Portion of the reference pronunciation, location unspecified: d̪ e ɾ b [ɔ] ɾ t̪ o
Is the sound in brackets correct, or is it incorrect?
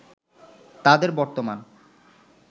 correct